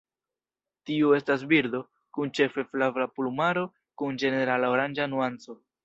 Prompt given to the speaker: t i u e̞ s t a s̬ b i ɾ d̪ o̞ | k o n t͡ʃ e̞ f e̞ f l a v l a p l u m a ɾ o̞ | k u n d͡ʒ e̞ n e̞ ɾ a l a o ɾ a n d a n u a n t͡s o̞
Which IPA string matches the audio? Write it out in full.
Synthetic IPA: t i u e̞ s t a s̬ b i ɾ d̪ o̞ | k u n t͡ʃ e̞ f e̞ f l a v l a p l u m a ɾ o̞ | k u n d͡ʒ e̞ n e̞ ɾ a l a o ɾ a n d͡ʒ a n u a n t͡s o̞